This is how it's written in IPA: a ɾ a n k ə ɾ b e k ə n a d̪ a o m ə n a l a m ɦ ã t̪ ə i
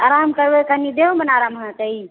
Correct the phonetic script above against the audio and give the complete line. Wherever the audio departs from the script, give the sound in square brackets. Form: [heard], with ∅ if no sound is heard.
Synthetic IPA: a ɾ a [m] k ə ɾ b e k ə n [i] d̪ [e] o m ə n a [ɾ] a m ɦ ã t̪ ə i